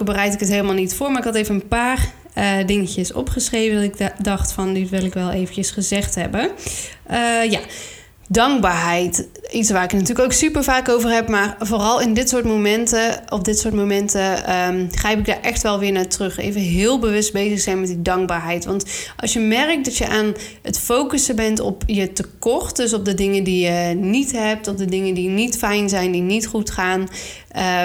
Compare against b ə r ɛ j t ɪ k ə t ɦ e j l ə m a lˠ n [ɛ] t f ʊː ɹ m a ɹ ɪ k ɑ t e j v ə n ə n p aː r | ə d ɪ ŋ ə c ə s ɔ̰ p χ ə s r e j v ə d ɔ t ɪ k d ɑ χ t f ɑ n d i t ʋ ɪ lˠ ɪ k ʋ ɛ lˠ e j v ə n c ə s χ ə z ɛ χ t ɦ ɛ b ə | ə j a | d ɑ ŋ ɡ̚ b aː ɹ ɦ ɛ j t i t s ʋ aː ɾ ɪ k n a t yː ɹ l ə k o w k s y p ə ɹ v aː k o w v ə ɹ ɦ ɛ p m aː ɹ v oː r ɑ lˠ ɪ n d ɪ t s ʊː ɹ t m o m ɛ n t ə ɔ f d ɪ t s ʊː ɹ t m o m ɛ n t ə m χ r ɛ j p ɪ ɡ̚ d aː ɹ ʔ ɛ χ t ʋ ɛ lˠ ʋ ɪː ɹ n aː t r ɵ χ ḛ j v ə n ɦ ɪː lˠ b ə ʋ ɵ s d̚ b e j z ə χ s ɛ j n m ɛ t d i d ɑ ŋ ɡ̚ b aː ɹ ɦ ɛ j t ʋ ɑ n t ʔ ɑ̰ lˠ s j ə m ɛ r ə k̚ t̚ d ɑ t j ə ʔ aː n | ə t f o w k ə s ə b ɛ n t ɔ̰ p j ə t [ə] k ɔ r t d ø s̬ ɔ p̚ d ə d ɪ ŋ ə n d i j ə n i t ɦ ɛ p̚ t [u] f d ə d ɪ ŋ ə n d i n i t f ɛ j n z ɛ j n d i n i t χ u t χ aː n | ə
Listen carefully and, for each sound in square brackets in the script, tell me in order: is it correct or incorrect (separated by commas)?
incorrect, correct, incorrect